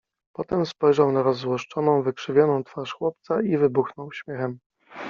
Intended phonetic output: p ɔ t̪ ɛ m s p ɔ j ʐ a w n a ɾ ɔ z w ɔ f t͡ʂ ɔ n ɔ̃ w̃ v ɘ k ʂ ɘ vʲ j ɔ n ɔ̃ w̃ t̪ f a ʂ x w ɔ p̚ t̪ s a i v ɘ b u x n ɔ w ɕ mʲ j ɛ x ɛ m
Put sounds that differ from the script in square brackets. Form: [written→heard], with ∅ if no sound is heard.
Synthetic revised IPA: p ɔ t̪ ɛ m s p ɔ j ʐ a w n a ɾ ɔ z w ɔ [f→ʂ] t͡ʂ ɔ n ɔ̃ w̃ v ɘ k ʂ ɘ vʲ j ɔ n ɔ̃ w̃ t̪ f a ʂ x w ɔ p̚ t̪ s a i v ɘ b u x n ɔ w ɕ mʲ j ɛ x ɛ m